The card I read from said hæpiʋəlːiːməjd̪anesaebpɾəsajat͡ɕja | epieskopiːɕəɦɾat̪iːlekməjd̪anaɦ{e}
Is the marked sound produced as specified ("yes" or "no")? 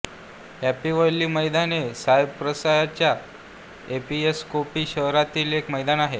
yes